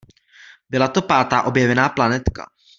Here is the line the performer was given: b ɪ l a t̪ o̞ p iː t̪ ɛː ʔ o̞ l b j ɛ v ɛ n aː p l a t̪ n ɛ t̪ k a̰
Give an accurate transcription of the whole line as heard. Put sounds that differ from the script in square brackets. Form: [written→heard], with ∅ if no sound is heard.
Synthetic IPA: b ɪ l a t̪ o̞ p [iː→aː] t̪ [ɛː→aː] ʔ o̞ [l→∅] b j ɛ v ɛ n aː p l a [t̪→∅] n ɛ t̪ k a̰